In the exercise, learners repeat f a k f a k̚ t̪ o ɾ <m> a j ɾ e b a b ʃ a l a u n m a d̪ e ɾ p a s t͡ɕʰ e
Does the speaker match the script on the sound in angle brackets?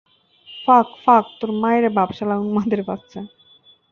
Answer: yes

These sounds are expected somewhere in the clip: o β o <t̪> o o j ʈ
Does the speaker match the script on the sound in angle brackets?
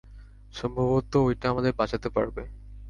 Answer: yes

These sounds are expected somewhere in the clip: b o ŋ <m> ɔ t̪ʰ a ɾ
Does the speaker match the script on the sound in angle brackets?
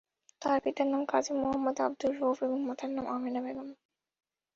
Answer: yes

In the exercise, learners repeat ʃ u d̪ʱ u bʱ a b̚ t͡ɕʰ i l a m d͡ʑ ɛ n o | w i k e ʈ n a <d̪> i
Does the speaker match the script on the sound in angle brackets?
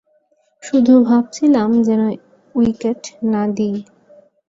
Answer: yes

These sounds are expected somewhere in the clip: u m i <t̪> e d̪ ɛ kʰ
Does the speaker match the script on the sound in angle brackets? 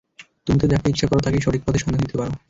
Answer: yes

